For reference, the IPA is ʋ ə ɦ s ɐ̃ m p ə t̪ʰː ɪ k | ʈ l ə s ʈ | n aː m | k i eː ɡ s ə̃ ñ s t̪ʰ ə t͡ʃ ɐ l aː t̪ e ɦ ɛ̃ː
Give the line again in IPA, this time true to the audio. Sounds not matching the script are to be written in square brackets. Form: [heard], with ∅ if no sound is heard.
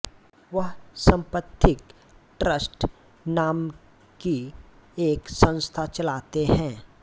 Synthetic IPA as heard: ʋ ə ɦ s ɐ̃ m p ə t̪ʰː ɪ k | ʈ [ɾ] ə s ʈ | n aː m | k i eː [k] s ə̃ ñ s t̪ʰ [a] t͡ʃ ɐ l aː t̪ e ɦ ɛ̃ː